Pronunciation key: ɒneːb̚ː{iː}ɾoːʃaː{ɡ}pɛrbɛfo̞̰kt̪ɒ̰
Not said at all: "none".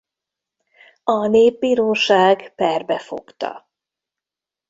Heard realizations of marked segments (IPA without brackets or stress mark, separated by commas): iː, ɡ